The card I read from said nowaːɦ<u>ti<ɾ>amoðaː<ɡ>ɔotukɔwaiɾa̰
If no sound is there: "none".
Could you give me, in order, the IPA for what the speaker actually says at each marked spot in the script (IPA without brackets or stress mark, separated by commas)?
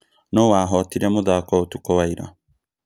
ɔ, ɾ, k